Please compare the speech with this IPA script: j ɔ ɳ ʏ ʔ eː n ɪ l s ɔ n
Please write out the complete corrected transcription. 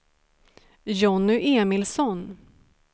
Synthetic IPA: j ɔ n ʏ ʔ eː m ɪ l s ɔ n